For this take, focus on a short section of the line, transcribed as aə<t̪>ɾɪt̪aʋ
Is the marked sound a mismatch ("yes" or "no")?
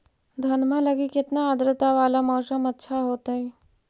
yes